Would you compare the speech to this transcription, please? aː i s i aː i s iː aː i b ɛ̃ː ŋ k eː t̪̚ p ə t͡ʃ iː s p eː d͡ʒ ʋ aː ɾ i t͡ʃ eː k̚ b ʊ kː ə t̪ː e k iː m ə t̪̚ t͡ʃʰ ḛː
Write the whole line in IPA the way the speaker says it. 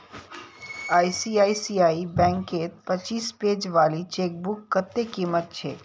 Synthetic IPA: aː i s i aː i s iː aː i b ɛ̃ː ŋ k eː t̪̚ p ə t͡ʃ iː s p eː d͡ʒ ʋ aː l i t͡ʃ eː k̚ b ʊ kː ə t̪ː e k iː m ə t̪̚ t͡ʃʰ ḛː